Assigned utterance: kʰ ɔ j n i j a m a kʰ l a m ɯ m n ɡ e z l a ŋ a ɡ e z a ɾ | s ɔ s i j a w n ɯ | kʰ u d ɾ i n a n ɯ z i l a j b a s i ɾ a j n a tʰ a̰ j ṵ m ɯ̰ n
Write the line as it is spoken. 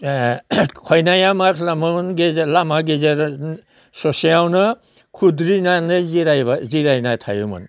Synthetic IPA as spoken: kʰ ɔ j n a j a m a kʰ l a m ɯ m n ɡ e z l a m a ɡ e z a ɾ | s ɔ s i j a w n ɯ | kʰ u d ɾ i n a n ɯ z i ɾ a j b a z i ɾ a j n a tʰ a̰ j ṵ m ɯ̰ n